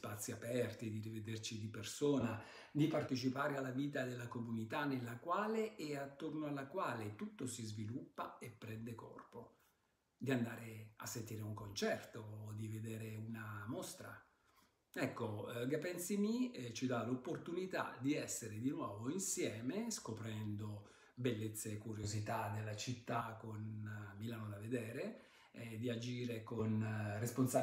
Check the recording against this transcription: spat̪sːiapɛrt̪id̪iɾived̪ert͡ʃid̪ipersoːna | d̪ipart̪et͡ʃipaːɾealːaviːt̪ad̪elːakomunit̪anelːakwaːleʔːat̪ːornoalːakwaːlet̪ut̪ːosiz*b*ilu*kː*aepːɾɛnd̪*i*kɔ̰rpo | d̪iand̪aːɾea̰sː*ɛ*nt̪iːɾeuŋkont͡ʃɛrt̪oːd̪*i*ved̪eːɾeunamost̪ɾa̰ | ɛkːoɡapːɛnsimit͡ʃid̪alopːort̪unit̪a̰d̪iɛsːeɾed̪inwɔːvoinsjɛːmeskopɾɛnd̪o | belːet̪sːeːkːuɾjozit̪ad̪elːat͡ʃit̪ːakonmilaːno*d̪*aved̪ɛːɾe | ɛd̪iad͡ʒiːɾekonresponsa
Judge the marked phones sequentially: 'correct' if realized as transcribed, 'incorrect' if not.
incorrect, incorrect, incorrect, incorrect, correct, correct

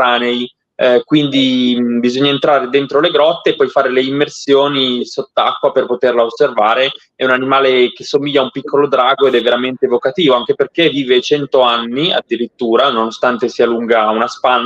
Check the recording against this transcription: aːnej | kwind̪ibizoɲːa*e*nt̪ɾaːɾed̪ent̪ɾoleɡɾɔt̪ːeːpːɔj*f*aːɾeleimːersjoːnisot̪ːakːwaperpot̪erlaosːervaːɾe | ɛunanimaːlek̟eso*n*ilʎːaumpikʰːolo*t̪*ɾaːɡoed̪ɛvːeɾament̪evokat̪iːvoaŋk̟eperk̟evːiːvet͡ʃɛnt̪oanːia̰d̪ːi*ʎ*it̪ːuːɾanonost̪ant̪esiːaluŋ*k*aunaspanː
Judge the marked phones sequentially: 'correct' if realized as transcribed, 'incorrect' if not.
correct, correct, incorrect, incorrect, incorrect, incorrect

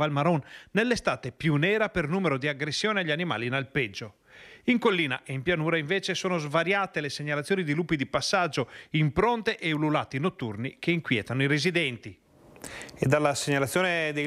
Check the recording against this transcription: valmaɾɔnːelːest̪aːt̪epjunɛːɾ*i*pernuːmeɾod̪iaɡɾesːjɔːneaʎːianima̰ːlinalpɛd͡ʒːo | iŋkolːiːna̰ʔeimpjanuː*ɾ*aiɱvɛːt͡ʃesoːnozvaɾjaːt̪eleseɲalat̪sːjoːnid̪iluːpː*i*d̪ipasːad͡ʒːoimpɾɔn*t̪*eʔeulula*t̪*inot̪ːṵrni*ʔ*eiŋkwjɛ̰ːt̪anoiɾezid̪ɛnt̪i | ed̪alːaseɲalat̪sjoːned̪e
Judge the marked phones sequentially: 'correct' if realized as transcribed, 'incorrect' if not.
incorrect, correct, correct, correct, correct, incorrect

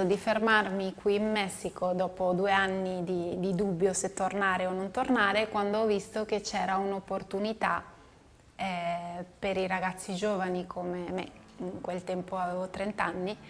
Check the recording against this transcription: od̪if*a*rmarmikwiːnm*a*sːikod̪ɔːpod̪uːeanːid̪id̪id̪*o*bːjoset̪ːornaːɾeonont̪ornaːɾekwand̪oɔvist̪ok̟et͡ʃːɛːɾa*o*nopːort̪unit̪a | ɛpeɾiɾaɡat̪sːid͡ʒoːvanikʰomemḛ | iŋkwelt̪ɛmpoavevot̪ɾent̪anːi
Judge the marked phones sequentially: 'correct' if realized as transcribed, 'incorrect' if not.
incorrect, incorrect, incorrect, incorrect

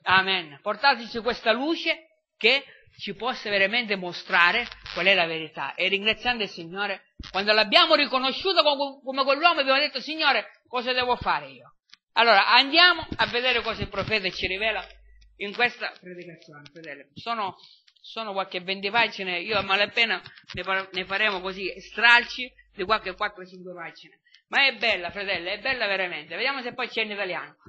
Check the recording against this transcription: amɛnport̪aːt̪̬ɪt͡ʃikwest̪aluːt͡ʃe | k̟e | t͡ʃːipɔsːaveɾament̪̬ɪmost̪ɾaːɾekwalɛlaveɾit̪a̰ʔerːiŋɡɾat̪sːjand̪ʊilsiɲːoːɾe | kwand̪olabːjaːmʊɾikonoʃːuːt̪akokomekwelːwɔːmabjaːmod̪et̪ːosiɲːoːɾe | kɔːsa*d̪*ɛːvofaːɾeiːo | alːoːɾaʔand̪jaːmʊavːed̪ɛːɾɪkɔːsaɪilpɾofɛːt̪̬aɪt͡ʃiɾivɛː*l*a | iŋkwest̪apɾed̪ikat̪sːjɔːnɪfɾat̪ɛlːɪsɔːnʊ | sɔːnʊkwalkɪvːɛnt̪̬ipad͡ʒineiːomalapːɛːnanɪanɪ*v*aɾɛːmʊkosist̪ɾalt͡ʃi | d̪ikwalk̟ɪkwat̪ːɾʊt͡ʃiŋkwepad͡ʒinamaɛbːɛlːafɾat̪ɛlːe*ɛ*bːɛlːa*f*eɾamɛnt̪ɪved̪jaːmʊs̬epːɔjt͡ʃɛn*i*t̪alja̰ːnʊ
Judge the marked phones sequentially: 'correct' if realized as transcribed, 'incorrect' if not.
correct, correct, incorrect, correct, incorrect, correct

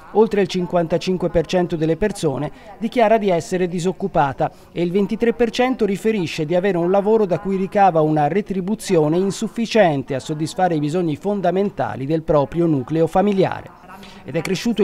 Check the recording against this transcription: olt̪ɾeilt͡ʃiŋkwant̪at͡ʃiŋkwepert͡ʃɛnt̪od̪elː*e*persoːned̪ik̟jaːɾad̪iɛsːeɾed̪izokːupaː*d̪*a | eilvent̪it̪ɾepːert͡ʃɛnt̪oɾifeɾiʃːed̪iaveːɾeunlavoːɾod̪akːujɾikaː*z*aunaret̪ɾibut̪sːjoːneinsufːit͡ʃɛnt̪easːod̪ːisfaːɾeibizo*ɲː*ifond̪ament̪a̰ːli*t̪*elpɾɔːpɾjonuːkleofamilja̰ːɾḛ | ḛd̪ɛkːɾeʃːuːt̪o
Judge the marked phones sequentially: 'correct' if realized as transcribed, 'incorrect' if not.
correct, incorrect, incorrect, correct, incorrect

